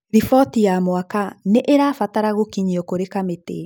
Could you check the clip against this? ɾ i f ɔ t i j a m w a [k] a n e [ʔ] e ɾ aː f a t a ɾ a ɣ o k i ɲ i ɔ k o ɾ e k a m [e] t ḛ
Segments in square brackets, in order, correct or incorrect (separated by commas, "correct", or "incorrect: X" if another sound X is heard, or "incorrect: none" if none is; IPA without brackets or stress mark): correct, correct, correct